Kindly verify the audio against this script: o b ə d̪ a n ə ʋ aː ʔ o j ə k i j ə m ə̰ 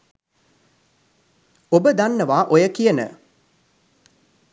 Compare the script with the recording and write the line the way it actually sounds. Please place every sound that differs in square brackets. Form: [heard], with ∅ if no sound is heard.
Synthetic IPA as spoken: o b ə d̪ a [nː] ə ʋ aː ʔ o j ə k i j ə [n] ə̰